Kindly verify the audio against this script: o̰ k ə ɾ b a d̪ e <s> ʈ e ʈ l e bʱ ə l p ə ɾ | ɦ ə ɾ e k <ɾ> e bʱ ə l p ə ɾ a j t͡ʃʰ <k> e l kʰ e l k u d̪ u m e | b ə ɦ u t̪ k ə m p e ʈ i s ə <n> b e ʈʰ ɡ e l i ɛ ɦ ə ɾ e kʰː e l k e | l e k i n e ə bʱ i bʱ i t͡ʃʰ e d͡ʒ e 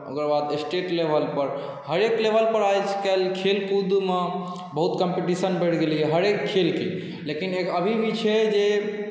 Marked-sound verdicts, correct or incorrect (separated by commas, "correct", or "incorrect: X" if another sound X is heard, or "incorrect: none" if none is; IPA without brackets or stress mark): correct, incorrect: l, correct, correct